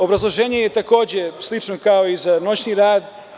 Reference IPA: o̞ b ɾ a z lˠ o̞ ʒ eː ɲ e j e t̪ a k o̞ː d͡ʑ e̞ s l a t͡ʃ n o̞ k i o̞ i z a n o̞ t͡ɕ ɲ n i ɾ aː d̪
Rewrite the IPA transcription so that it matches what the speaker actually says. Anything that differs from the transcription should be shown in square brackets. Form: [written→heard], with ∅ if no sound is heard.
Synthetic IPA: o̞ b ɾ a z lˠ o̞ ʒ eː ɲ e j e t̪ a k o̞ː d͡ʑ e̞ s l [a→i] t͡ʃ n o̞ k [i→a] o̞ i z a n o̞ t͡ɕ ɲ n i ɾ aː d̪